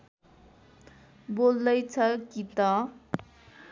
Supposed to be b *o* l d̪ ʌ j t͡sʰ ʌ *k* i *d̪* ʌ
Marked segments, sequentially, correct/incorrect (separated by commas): correct, correct, incorrect